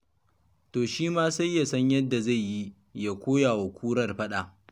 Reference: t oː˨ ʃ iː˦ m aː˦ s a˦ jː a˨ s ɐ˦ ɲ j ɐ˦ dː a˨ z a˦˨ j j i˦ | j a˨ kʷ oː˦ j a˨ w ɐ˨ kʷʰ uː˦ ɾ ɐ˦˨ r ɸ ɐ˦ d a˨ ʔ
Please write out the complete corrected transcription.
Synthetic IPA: t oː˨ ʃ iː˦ m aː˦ s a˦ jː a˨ s ɐ˦ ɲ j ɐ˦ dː a˨ z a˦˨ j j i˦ | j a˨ kʷ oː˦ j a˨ w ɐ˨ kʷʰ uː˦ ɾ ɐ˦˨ r ɸ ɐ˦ ɗ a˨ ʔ